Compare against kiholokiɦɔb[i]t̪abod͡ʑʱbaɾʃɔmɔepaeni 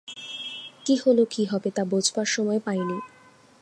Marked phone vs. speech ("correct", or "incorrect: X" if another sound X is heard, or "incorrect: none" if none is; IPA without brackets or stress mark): incorrect: e